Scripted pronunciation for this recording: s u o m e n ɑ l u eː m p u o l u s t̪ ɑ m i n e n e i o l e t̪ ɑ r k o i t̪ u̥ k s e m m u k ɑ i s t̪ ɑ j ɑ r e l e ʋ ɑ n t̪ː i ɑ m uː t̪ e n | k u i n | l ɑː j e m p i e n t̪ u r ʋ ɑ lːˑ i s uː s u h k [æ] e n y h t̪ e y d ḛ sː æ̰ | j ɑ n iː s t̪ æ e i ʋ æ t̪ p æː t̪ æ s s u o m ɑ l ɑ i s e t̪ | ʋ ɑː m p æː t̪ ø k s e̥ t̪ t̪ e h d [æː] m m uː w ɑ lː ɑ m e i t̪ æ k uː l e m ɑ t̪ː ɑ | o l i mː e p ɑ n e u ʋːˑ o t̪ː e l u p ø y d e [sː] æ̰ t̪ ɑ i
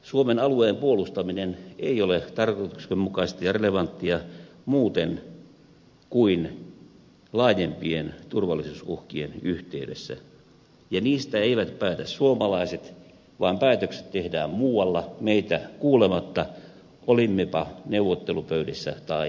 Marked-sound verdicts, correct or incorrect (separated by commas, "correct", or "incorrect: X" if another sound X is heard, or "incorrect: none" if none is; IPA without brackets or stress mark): incorrect: i, correct, correct